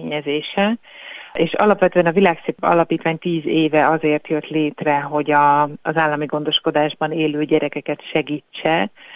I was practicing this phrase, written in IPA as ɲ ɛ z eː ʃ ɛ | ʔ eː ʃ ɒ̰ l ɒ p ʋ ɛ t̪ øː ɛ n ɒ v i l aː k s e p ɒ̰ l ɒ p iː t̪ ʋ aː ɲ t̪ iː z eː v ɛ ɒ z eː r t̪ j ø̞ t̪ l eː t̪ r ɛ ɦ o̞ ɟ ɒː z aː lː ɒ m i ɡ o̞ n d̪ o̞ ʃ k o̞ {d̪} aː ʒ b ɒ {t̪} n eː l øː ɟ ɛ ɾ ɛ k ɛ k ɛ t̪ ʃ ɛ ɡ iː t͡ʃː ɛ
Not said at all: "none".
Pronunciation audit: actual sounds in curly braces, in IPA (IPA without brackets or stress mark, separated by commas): d̪, none